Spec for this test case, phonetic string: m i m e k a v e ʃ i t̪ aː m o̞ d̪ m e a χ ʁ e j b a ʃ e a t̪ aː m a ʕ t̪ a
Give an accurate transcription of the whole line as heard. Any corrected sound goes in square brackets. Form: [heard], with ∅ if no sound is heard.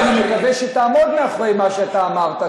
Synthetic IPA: [n] i m e k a v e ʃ [e] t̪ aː m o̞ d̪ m e a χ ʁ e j [m] a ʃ e a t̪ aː m a [ʁ] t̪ a